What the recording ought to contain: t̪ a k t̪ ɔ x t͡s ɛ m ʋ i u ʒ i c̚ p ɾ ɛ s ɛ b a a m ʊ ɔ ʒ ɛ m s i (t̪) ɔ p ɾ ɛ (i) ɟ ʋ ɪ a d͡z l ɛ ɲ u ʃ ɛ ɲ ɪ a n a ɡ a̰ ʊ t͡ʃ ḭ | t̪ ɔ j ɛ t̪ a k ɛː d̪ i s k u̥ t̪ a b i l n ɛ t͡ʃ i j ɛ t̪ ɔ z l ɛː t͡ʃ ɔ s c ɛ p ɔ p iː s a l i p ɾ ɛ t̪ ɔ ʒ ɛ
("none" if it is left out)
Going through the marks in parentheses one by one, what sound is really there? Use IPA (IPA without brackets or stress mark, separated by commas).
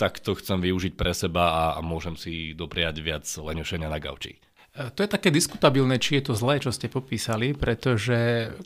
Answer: d̪, a